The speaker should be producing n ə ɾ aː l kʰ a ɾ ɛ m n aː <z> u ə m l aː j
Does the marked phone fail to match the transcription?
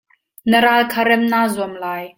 no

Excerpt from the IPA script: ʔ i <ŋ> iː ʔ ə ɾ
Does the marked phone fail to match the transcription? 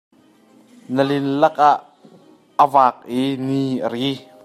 yes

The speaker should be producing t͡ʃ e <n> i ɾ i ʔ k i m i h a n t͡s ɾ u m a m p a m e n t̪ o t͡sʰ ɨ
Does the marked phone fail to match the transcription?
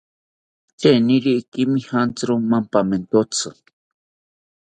no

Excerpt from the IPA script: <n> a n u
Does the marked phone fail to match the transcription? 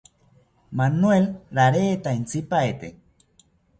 yes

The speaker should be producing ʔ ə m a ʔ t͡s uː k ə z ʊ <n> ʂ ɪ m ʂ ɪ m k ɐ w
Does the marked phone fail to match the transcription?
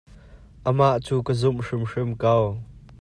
yes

